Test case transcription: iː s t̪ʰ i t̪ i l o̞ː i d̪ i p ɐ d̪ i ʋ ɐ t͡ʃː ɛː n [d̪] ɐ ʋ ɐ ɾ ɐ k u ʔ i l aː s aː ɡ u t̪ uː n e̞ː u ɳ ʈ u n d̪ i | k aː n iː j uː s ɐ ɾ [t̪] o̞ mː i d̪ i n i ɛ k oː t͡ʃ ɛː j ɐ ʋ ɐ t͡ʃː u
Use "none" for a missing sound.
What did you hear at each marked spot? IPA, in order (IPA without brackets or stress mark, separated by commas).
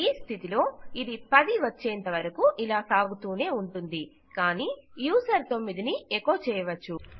t̪, t̪